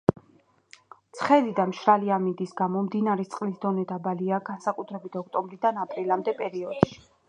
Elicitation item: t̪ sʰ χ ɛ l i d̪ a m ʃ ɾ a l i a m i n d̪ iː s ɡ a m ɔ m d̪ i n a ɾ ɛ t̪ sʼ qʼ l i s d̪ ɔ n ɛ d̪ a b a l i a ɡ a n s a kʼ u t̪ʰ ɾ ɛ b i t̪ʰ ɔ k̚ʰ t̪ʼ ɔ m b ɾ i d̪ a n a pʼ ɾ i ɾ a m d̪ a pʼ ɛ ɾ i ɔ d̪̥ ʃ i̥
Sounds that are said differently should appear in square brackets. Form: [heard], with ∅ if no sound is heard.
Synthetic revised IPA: t̪ sʰ χ ɛ l i d̪ a m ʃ ɾ a l i a m i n d̪ [i] s ɡ a m ɔ m d̪ i n a ɾ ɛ t̪ sʼ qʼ l i s d̪ ɔ n ɛ d̪ a b a l i a ɡ a n s a kʼ u t̪ʰ ɾ ɛ b i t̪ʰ ɔ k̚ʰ t̪ʼ ɔ m b ɾ i d̪ a n a pʼ ɾ i [l] a m d̪ [ɛ] pʼ ɛ ɾ i ɔ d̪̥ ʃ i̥